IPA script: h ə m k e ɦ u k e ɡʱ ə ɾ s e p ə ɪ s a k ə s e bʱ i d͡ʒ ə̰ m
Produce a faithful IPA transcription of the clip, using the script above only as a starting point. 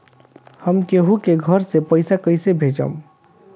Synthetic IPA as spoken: h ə m k e ɦ u k e ɡʱ ə ɾ s e p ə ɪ s a k ə s e bʱ e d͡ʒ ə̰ m